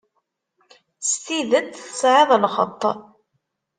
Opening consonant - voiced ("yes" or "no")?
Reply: no